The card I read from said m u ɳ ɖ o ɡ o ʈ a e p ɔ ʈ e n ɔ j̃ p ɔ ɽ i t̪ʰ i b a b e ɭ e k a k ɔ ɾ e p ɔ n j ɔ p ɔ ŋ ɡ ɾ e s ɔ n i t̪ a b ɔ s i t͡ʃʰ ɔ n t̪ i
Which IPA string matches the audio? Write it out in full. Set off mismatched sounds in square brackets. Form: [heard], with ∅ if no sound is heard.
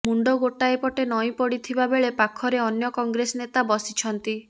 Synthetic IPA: m u ɳ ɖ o ɡ o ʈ a e p ɔ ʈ e n ɔ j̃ p ɔ ɽ i t̪ʰ i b a b e ɭ e [p] a [kʰ] ɔ ɾ e [∅] ɔ n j ɔ [k] ɔ ŋ ɡ ɾ e s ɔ n [e] t̪ a b ɔ s i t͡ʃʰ ɔ n t̪ i